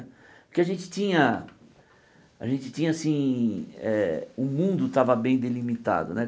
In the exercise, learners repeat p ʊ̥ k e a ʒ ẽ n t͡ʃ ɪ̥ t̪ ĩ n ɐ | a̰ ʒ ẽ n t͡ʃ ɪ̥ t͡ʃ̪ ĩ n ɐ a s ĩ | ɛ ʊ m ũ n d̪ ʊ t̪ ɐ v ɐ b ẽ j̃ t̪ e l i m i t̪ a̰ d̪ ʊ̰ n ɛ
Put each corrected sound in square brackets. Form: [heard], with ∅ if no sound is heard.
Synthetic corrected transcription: p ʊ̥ k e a ʒ ẽ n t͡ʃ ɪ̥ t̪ ĩ [ɲ] ɐ | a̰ ʒ ẽ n t͡ʃ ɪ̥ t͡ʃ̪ ĩ [ɲ] ɐ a s ĩ | ɛ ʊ m ũ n d̪ ʊ t̪ [a] v ɐ b ẽ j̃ [d̪] e l i m i t̪ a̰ d̪ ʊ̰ n ɛ